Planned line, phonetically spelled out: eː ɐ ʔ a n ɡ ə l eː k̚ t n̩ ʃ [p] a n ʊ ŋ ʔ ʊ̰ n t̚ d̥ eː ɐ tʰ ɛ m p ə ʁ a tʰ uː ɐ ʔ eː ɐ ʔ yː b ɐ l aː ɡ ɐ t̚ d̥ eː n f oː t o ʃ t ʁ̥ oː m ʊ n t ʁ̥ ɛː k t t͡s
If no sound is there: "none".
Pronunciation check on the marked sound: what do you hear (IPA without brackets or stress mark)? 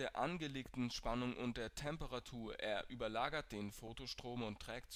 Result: p